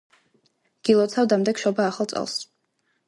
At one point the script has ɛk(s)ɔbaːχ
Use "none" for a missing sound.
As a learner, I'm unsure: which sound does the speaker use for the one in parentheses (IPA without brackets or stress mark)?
ʃ